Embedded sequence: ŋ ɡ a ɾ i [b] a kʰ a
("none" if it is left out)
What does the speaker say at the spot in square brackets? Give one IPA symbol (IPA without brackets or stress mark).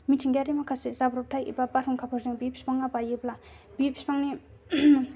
m